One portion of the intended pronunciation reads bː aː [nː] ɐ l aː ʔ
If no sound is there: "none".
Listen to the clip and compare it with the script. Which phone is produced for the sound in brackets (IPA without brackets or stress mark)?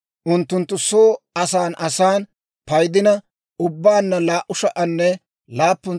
nː